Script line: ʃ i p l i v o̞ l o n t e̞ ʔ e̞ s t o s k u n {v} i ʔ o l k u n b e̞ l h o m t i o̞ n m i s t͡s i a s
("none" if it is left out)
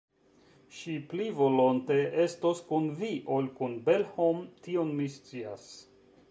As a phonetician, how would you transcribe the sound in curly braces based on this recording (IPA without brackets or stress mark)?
v